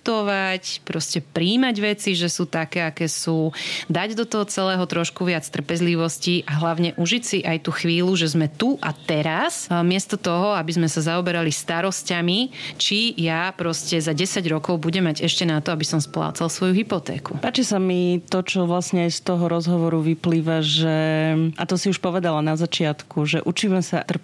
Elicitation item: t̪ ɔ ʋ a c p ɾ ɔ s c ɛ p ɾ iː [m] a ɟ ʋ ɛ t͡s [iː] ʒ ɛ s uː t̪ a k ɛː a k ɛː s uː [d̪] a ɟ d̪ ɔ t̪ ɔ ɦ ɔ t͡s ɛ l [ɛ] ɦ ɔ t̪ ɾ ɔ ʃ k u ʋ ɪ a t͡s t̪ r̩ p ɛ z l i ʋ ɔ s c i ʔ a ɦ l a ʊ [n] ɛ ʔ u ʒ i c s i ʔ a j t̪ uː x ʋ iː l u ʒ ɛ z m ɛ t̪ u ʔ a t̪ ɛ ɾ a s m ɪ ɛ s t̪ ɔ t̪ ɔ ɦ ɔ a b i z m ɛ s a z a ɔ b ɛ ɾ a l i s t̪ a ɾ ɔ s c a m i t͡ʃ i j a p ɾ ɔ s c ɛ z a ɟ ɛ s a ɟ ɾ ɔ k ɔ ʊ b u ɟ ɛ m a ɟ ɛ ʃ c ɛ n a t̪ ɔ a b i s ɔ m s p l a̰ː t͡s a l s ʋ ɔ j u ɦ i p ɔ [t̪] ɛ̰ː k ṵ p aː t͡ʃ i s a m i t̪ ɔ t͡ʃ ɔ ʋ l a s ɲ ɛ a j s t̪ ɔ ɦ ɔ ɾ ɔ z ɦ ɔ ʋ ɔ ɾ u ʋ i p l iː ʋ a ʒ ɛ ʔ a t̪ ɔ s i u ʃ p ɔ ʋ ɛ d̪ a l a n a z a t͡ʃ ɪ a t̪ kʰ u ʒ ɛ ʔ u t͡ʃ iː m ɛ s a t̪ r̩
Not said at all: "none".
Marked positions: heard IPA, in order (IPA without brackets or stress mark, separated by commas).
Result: m, i, d̪, ɛː, ɲ, t̪